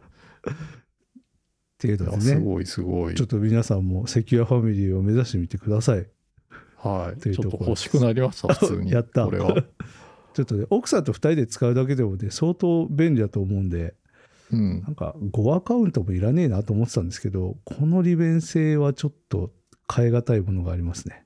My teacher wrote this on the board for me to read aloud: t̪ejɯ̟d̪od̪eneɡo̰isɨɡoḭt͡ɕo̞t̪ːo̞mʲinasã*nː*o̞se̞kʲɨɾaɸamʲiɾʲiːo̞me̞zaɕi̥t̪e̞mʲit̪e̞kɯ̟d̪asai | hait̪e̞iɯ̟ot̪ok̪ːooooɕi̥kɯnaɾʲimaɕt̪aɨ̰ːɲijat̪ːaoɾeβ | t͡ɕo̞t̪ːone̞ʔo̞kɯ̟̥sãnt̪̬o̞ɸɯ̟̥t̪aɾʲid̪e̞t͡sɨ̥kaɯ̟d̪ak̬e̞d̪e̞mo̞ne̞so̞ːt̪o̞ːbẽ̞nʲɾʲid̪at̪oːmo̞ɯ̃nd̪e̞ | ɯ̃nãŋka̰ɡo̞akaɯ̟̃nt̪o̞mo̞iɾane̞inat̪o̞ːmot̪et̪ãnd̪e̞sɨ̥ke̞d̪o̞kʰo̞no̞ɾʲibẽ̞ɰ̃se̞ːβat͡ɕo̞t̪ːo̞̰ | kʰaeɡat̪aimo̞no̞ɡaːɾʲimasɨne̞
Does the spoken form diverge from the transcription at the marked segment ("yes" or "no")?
yes